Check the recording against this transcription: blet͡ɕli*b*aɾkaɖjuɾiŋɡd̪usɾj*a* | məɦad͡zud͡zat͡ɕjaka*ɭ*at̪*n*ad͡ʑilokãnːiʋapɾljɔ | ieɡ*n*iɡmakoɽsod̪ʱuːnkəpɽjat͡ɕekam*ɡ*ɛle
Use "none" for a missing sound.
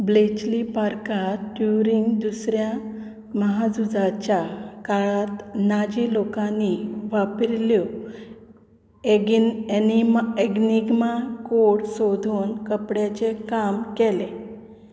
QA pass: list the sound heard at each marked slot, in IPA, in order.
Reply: p, a, ɭ, n, n, k

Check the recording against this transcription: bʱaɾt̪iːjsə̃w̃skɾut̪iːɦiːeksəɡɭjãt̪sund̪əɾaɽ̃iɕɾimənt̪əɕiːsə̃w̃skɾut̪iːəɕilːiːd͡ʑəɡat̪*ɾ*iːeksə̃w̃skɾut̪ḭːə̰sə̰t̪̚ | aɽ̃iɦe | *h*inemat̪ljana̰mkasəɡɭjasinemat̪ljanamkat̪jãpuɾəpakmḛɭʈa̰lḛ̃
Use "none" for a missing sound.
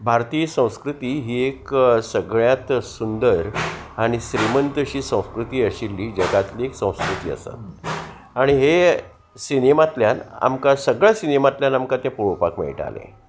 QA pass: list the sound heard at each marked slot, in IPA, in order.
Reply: l, s

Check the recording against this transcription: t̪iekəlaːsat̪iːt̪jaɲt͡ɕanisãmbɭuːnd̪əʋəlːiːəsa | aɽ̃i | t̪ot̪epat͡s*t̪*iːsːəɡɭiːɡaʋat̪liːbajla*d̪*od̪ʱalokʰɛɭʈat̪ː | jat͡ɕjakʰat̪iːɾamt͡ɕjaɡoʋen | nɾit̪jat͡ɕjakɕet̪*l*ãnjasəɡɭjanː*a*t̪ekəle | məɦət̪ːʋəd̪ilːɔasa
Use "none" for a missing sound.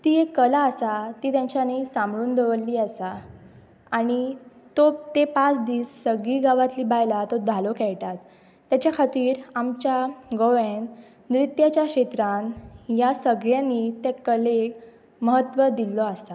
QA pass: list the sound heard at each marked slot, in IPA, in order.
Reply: d̪, t̪, ɾ, i

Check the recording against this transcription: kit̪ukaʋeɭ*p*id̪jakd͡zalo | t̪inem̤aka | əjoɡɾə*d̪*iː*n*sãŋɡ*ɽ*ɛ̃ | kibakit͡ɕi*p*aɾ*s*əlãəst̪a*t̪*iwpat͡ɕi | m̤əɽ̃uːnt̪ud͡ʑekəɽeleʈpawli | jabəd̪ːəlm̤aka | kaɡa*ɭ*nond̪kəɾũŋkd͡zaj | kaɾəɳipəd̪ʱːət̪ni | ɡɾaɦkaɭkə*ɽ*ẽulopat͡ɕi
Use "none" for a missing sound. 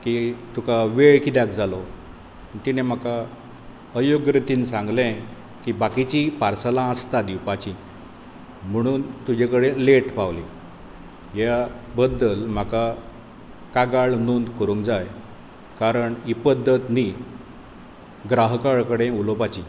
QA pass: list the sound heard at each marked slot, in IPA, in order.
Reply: k, t̪, n, l, p, s, d̪, ɭ, ɽ

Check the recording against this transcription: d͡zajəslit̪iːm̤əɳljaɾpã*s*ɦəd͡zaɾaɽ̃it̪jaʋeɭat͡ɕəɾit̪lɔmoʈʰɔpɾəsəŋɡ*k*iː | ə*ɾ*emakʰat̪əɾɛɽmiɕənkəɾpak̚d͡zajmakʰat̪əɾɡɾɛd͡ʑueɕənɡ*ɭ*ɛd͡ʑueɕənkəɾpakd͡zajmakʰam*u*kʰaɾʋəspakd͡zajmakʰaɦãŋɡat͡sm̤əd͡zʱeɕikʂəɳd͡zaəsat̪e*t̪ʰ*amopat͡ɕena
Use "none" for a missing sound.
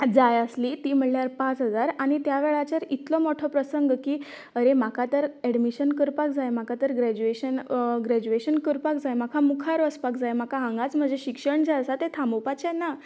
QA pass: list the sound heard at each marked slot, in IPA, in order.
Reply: t͡s, k, ɾ, ɾ, u, t̪ʰ

